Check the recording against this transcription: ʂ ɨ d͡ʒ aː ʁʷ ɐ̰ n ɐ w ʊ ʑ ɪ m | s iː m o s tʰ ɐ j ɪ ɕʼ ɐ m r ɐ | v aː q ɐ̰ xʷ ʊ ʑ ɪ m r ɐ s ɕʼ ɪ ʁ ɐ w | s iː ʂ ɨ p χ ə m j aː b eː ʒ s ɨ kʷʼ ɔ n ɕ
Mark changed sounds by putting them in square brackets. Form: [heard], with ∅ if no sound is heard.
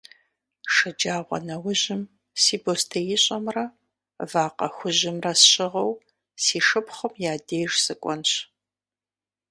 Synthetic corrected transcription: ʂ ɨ d͡ʒ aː ʁʷ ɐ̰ n ɐ w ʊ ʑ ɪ m | s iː [b] o s tʰ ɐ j ɪ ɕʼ ɐ m r ɐ | v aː q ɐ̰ xʷ ʊ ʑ ɪ m r ɐ s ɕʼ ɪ ʁ ɐ w | s iː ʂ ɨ p χ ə m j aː [d] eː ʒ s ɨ kʷʼ ɔ n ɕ